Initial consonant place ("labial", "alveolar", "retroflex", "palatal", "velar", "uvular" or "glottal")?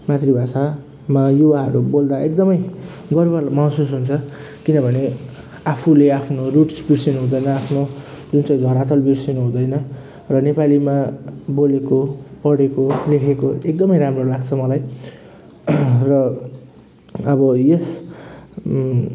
labial